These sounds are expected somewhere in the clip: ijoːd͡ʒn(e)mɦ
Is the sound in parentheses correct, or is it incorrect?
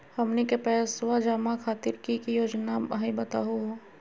incorrect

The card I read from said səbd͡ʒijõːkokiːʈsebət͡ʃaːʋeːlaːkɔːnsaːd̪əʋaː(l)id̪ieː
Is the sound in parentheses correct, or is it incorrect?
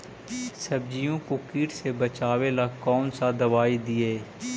incorrect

